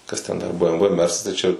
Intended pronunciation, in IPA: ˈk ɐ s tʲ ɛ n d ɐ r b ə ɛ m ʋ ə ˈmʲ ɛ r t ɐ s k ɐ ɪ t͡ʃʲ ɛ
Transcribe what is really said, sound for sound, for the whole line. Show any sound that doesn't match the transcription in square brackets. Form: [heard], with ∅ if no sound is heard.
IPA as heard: ˈk ɐ s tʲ ɛ n d ɐ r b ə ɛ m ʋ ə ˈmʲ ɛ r [s] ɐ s [t] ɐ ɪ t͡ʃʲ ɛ